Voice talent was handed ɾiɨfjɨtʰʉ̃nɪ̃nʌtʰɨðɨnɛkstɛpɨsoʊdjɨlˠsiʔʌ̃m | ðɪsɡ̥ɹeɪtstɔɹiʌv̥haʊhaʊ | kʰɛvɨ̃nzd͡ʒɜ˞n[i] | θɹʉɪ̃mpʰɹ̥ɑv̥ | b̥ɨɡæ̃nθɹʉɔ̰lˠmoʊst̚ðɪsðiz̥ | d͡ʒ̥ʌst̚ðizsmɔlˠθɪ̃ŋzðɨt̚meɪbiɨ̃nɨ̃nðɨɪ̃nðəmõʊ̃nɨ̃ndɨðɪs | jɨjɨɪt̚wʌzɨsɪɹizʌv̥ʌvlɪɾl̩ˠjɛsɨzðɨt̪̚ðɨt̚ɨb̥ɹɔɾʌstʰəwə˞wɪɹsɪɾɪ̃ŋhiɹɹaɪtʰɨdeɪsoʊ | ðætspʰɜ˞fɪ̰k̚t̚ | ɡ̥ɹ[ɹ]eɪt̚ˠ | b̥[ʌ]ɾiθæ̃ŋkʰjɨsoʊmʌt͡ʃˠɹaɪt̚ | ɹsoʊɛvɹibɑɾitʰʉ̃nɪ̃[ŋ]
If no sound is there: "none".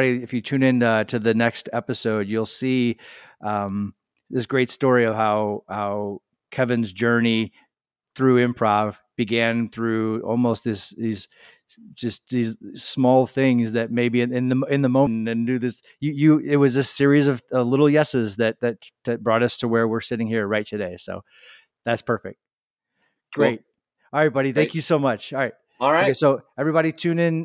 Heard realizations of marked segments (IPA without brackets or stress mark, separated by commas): i, ɹ, ɑ, n